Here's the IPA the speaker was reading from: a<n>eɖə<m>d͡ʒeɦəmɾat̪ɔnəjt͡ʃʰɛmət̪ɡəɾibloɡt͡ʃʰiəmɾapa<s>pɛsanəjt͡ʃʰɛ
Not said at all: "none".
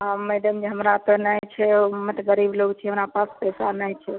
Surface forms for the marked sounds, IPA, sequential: m, m, s

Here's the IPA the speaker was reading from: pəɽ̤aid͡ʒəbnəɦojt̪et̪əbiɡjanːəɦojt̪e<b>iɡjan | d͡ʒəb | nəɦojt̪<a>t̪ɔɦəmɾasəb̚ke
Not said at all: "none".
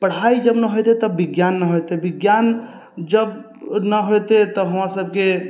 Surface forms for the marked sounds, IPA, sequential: b, e

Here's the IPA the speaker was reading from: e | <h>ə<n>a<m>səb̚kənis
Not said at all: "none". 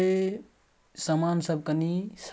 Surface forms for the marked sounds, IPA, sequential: s, m, n

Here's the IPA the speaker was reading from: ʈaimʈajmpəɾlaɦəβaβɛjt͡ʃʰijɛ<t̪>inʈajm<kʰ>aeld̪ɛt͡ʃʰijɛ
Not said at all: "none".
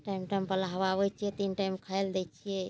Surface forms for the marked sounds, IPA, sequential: t̪, kʰ

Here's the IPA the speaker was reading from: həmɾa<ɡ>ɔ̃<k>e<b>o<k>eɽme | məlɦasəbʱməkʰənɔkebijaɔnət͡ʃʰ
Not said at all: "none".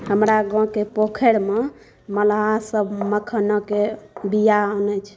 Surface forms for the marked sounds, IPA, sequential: ɡ, k, p, kʰ

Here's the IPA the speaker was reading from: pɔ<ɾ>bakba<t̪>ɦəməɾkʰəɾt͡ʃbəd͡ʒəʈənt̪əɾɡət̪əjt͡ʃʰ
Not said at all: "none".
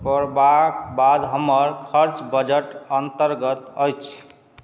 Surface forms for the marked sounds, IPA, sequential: ɾ, d̪

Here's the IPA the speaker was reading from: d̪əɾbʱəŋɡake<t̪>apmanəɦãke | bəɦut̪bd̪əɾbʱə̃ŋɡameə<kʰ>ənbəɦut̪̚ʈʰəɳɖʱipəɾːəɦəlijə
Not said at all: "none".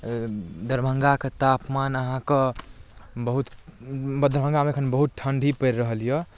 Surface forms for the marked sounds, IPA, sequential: t̪, kʰ

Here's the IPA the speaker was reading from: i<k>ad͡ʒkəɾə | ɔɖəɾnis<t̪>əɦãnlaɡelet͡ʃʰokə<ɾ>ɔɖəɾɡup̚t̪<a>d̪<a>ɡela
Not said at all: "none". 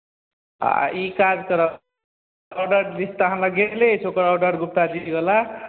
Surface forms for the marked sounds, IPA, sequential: k, t̪, ɾ, a, i

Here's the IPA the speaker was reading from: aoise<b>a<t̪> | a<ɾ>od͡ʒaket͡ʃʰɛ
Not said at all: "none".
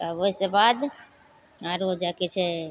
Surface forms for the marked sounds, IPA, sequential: b, d̪, ɾ

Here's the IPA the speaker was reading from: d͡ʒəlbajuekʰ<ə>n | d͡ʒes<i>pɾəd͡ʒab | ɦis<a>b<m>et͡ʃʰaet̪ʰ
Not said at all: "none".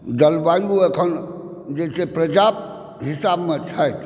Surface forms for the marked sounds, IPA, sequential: ə, e, a, m

